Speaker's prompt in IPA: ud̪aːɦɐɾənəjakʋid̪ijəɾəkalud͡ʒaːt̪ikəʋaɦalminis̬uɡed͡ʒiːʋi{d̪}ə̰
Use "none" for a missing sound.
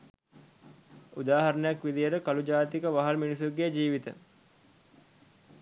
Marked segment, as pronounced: t̪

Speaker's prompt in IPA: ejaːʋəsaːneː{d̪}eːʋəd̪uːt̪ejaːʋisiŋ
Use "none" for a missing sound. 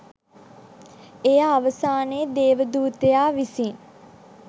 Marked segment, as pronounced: d̪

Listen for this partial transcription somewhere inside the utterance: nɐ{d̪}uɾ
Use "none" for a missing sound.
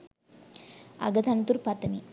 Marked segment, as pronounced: t̪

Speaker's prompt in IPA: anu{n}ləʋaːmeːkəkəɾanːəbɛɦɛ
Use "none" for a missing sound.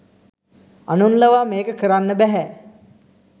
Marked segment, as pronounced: n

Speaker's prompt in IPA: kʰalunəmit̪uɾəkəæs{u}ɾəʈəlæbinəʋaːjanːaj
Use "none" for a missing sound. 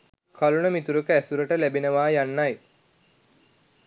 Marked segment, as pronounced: u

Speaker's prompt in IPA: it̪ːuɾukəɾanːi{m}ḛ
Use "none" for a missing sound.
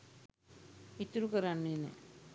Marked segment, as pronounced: n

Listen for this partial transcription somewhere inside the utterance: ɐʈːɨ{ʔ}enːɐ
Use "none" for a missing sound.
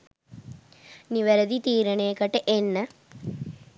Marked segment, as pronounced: ʔ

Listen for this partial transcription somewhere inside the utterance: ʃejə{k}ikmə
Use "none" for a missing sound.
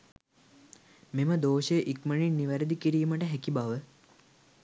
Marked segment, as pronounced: ʔ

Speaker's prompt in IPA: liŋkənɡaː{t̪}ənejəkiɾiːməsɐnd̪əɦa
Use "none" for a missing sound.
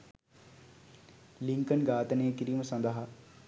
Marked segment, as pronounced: t̪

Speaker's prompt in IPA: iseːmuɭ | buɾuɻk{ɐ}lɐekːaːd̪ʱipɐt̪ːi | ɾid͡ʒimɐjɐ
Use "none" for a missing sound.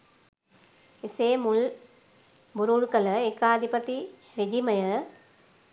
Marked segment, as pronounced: ɐ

